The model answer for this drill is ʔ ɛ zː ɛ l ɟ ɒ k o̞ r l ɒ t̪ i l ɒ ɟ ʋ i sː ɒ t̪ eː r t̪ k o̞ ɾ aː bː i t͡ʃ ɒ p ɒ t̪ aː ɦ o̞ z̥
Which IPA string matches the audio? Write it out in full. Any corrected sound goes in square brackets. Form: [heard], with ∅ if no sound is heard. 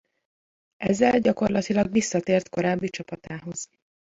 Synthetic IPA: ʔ ɛ zː ɛ l ɟ ɒ k o̞ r l ɒ t̪ i l ɒ [ɡ] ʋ i sː ɒ t̪ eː r t̪ k o̞ ɾ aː bː i t͡ʃ ɒ p ɒ t̪ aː ɦ o̞ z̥